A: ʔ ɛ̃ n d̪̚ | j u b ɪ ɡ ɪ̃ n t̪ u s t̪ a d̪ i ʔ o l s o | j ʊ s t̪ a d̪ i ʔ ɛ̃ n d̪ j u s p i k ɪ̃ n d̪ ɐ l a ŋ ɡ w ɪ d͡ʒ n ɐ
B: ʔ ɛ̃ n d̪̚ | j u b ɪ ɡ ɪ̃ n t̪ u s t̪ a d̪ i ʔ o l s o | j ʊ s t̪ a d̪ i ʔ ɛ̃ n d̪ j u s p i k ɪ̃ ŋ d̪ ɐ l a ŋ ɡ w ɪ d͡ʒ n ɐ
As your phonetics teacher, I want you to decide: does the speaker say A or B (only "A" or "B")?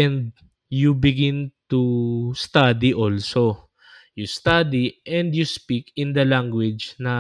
A